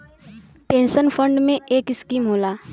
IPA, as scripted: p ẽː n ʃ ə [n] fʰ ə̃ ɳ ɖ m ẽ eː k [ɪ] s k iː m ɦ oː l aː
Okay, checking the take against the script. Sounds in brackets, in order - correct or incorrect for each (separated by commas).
correct, correct